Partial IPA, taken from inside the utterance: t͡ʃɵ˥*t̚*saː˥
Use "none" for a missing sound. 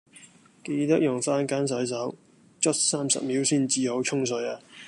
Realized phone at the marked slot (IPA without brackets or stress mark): t̚